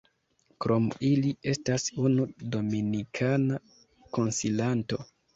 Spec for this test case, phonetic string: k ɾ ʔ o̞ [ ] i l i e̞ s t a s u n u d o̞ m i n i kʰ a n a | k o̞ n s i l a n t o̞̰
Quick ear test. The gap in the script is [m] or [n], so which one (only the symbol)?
m